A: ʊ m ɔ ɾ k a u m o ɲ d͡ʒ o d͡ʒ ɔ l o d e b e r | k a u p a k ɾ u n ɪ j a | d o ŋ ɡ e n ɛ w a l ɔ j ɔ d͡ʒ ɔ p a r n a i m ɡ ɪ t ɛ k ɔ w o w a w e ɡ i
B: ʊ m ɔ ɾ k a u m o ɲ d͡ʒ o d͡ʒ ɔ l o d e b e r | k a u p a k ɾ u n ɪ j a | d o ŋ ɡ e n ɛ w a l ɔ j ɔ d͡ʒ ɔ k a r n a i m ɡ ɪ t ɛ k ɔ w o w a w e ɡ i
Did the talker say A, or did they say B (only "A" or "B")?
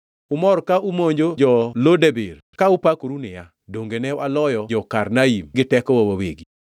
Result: B